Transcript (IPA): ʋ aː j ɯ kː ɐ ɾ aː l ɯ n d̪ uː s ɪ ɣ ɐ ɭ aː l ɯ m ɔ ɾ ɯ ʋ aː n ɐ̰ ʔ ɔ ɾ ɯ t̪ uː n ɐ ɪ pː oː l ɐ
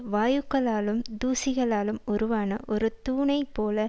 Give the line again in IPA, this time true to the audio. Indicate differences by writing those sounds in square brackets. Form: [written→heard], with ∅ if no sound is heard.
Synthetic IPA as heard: ʋ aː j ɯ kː ɐ [ɾ→ɭ] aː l ɯ [n→m] d̪ uː s ɪ ɣ ɐ ɭ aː l ɯ m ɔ ɾ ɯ ʋ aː n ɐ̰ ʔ ɔ ɾ ɯ t̪ uː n ɐ ɪ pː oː l ɐ